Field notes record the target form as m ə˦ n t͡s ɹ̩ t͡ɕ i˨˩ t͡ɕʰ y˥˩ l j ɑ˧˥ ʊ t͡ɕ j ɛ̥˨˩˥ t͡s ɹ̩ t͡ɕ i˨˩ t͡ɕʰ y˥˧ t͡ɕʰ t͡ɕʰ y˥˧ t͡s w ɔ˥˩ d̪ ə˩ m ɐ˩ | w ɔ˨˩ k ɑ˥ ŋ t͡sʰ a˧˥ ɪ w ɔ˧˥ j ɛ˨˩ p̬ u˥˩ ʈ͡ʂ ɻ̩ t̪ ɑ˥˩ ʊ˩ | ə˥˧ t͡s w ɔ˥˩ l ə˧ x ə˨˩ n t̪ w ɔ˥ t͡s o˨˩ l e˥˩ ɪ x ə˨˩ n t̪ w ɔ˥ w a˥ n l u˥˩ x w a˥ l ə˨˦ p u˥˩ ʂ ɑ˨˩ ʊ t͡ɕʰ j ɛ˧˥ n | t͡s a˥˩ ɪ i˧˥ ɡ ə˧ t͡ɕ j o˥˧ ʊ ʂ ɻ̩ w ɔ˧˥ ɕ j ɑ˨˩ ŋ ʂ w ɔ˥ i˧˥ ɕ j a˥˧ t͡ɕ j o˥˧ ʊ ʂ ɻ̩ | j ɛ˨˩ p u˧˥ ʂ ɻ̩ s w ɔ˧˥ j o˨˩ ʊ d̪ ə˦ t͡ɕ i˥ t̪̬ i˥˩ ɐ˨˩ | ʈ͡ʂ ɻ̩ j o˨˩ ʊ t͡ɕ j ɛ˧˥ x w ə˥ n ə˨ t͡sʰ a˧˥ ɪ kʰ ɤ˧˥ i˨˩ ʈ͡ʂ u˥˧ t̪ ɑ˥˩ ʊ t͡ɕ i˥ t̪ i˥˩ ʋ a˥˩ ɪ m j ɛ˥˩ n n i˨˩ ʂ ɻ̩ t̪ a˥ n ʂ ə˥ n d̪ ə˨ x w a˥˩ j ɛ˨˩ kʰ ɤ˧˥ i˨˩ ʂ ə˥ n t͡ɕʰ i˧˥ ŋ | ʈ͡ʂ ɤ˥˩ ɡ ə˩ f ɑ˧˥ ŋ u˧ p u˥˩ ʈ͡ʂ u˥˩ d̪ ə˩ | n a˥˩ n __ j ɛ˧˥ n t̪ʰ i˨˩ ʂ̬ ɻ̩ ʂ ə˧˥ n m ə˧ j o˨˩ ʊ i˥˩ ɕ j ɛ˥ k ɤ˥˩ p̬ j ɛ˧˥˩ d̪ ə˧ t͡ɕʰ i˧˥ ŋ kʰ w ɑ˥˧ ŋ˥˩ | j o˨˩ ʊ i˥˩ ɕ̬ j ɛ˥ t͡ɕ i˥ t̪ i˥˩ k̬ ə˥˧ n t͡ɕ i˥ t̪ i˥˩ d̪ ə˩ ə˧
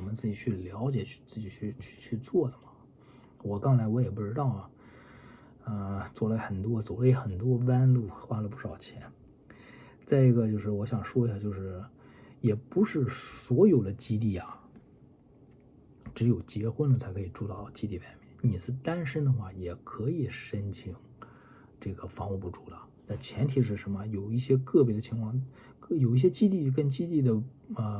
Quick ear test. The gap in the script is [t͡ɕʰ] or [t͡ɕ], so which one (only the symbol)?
t͡ɕʰ